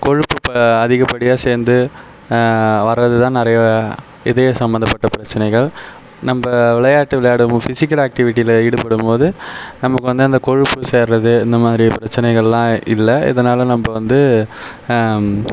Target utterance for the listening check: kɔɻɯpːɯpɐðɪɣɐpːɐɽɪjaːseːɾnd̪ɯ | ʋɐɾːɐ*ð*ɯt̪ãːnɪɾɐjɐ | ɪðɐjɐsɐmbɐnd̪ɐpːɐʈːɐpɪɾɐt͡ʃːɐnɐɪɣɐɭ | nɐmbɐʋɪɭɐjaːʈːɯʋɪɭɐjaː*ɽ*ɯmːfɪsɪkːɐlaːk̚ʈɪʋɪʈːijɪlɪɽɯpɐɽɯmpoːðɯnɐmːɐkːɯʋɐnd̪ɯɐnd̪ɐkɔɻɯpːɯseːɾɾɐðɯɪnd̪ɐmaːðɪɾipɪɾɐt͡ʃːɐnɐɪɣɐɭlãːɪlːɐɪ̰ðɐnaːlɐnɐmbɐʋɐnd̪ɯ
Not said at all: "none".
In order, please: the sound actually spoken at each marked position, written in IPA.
ð, ɽ

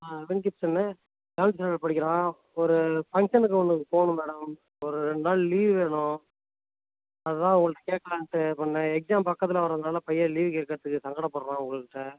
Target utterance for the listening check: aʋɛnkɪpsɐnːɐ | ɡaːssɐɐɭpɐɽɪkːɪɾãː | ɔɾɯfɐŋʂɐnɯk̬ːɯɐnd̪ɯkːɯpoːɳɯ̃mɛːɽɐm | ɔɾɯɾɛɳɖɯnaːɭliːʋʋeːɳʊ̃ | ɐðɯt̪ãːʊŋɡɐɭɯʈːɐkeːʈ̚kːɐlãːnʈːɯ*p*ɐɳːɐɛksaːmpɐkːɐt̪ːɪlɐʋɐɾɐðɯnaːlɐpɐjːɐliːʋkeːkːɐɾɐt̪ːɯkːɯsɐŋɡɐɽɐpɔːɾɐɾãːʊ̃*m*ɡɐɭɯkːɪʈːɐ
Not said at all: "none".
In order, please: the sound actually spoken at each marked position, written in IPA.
p, ŋ

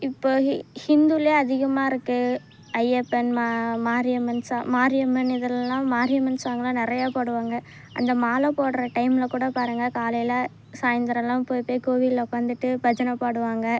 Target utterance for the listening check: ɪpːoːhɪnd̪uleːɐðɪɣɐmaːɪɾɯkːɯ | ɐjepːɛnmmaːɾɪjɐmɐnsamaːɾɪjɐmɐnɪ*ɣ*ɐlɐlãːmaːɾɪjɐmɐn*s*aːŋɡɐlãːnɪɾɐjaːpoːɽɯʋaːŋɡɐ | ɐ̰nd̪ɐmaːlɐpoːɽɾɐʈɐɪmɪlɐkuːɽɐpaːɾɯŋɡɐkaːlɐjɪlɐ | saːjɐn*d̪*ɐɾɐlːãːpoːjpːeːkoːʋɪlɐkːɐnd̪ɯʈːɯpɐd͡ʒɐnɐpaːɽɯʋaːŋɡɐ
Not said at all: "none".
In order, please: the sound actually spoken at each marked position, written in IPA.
ð, s, d̪

